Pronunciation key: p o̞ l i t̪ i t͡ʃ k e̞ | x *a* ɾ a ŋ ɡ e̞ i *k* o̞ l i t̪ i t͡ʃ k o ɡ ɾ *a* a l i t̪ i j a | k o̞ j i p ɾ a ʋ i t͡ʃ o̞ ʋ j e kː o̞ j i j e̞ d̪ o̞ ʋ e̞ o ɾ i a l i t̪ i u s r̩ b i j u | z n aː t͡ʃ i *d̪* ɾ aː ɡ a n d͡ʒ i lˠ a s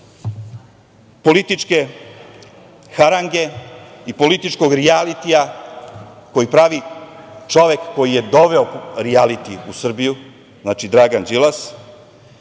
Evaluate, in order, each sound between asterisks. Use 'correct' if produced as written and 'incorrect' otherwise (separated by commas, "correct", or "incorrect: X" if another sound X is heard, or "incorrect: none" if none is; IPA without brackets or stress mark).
correct, incorrect: p, incorrect: i, correct